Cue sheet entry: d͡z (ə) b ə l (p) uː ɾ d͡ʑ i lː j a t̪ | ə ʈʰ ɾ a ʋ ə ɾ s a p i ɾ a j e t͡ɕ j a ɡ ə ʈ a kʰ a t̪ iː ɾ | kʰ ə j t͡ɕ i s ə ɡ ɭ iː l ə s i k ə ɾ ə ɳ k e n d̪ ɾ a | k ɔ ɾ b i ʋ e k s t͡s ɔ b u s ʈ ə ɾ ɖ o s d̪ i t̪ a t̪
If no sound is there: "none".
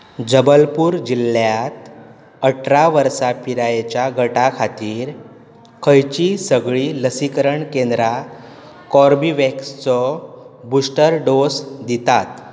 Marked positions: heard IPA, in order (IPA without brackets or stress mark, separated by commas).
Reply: ə, p